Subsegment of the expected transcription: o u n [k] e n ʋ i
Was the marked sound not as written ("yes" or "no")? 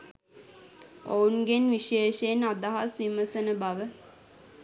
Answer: yes